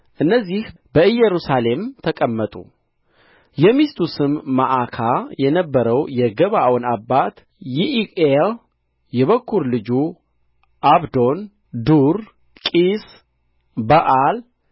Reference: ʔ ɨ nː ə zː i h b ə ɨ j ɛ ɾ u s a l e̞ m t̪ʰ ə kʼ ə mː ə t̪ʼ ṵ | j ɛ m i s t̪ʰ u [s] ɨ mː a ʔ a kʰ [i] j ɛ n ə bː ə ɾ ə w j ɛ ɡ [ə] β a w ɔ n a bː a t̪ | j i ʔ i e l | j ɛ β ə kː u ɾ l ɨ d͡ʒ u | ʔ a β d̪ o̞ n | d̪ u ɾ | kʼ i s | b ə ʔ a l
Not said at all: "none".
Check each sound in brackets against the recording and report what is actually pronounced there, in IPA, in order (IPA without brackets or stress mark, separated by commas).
s, a, ə